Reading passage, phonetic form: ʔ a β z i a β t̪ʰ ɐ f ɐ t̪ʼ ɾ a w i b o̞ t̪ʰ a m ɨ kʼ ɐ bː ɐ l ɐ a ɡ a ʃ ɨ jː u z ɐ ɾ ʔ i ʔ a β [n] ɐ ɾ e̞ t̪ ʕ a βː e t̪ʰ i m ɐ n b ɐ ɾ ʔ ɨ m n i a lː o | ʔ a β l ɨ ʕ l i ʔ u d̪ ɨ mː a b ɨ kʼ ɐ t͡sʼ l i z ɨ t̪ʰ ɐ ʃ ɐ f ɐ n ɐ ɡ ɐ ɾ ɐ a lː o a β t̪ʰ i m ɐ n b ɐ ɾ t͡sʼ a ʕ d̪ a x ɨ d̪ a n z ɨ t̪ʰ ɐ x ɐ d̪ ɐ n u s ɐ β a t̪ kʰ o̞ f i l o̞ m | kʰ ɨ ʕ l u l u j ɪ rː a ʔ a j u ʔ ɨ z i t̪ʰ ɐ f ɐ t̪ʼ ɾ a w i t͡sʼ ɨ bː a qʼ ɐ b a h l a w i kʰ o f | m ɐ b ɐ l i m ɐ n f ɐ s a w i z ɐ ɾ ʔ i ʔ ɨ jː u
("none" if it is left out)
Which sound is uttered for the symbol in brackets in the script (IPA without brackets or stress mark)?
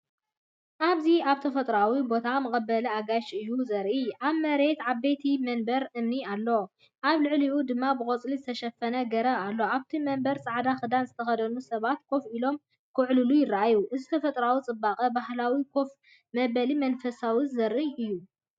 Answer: m